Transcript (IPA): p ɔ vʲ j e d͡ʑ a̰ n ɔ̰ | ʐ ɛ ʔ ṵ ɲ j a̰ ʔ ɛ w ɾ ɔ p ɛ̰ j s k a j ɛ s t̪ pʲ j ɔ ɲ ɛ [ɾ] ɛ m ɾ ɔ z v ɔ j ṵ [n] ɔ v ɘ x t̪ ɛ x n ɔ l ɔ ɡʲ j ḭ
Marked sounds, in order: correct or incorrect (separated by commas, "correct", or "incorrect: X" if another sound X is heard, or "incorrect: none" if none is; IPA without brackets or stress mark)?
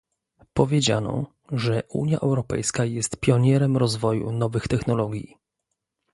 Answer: correct, correct